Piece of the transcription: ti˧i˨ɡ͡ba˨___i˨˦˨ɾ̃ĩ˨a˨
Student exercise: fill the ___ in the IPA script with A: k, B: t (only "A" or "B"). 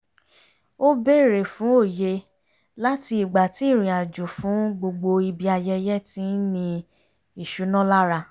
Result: B